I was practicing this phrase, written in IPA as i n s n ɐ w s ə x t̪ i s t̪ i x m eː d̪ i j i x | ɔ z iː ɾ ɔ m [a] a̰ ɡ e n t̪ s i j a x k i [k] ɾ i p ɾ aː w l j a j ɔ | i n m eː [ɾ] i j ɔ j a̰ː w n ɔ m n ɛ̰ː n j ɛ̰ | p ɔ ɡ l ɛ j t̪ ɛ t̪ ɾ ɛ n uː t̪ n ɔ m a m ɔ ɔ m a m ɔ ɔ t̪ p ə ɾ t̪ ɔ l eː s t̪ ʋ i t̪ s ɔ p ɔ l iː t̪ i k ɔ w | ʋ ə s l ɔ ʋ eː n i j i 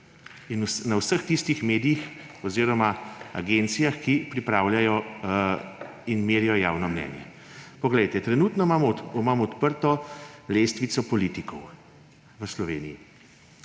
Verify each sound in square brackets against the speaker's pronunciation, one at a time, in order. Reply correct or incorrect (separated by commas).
correct, incorrect, correct